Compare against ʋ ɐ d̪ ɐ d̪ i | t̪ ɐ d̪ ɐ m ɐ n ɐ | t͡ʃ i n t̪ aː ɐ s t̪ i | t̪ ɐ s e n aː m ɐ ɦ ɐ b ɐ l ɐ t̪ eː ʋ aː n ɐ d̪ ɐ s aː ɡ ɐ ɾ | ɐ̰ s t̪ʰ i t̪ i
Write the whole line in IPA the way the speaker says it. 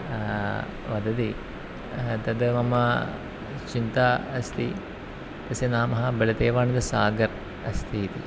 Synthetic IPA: ʋ ɐ d̪ ɐ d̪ i | t̪ ɐ d̪ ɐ m ɐ m ɐ | t͡ʃ i n t̪ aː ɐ s t̪ i | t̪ ɐ s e n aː m ɐ ɦ ɐ b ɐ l ɐ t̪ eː ʋ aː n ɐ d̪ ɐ s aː ɡ ɐ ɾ | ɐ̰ s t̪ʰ i t̪ i